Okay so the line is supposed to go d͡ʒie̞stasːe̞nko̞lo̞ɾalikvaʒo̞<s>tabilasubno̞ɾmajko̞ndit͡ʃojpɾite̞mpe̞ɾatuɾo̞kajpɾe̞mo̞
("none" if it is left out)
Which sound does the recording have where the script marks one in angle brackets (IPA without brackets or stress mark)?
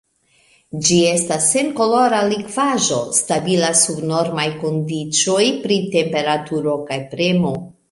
s